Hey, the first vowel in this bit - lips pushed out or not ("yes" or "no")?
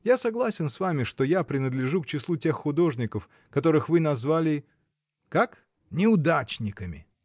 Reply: no